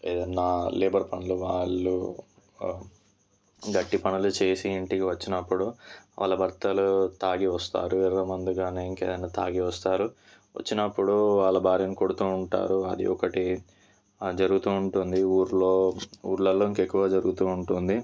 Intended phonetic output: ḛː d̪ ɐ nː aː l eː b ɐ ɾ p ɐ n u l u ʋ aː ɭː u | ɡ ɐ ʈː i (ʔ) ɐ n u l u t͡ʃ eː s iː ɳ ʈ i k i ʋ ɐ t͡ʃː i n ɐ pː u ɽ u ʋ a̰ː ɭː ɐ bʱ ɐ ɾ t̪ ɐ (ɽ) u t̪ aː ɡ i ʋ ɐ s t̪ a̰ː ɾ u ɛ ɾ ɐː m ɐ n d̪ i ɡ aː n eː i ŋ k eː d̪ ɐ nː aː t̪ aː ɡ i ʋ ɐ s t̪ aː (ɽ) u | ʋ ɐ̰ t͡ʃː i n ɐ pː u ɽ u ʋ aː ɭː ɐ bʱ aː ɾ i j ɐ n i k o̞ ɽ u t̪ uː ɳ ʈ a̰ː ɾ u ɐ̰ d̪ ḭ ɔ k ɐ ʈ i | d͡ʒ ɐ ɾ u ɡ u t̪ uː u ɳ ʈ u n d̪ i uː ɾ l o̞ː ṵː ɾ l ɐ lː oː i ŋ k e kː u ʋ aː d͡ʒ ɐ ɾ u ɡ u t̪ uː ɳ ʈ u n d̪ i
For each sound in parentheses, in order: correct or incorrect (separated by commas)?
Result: incorrect, incorrect, incorrect